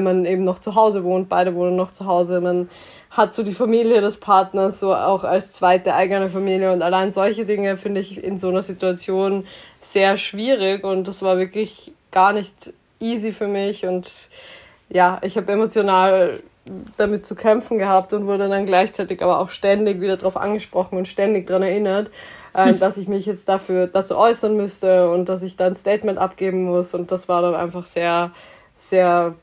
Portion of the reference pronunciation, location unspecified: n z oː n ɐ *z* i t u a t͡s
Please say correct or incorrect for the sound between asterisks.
correct